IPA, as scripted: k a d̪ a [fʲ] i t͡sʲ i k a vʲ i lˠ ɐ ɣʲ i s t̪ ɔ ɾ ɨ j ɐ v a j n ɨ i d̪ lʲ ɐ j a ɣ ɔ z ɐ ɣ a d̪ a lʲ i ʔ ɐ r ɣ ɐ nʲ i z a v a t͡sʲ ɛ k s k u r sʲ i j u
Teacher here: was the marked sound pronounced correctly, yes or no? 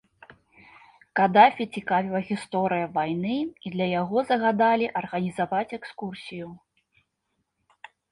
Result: yes